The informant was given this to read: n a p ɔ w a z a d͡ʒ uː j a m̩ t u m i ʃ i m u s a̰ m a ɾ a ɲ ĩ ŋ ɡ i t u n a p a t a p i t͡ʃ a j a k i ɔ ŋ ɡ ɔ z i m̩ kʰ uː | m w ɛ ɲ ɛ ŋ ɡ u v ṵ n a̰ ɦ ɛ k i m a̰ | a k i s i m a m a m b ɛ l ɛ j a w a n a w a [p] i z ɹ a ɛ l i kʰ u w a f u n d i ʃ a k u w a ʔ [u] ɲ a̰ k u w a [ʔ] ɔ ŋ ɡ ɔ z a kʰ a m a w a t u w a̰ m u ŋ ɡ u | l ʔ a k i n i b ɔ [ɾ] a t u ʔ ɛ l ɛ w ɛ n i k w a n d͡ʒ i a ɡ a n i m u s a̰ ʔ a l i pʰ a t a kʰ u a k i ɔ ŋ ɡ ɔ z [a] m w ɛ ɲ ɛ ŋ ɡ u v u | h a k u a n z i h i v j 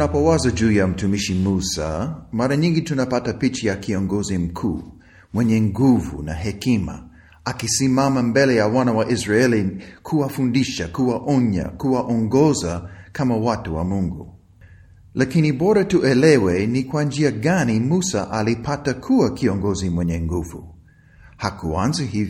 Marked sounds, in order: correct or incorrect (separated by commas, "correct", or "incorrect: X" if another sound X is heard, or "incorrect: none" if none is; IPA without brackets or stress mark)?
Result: incorrect: ʔ, incorrect: ɔ, correct, correct, incorrect: i